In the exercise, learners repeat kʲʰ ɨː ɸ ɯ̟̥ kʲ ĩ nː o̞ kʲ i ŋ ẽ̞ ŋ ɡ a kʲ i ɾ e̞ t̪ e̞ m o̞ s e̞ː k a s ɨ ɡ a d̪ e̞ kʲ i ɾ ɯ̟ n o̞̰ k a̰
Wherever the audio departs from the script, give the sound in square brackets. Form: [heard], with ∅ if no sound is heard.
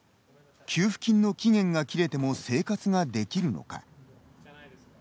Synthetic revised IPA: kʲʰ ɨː ɸ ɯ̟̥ kʲ ĩ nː o̞ kʲ i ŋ ẽ̞ ŋ ɡ a kʲ i ɾ e̞ t̪ e̞ m o̞ s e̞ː k a [t͡s] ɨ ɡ a d̪ e̞ kʲ i ɾ ɯ̟ n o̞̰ k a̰